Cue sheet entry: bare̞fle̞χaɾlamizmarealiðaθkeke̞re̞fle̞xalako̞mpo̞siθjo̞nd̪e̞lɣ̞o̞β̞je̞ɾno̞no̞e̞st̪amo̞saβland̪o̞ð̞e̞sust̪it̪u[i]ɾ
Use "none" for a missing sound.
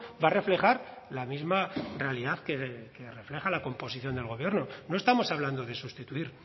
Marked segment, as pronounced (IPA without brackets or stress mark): i